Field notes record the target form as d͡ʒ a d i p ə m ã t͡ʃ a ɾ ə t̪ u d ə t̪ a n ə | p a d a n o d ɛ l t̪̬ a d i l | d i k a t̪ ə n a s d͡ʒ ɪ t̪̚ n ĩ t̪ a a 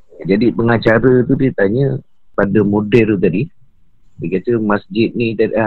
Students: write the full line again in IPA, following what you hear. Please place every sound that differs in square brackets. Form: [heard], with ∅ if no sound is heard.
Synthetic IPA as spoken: d͡ʒ a d i p ə [ŋ] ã t͡ʃ a ɾ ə t̪ u d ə t̪ a [ɲ] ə | p a d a [m] o d ɛ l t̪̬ a d i [∅] | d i k a t̪ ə [m] a s d͡ʒ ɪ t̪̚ n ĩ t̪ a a